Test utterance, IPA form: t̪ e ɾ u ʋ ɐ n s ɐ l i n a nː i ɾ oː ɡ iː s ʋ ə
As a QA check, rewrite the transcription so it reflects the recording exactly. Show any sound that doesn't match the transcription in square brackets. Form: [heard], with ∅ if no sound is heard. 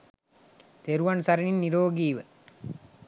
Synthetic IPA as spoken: t̪ e ɾ u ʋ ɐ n s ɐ [ɾ] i n [i] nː i ɾ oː ɡ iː [∅] ʋ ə